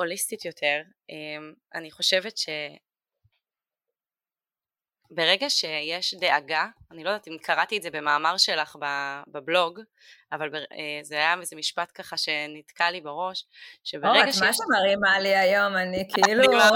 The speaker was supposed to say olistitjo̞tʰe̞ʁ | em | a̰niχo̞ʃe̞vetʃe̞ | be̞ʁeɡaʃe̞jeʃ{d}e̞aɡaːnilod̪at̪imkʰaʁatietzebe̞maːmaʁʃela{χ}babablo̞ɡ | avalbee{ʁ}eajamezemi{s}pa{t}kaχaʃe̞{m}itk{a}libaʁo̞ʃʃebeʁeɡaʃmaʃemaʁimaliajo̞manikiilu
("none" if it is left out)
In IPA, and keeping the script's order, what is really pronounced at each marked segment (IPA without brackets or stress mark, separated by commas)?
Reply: d, χ, z, ʃ, t, n, a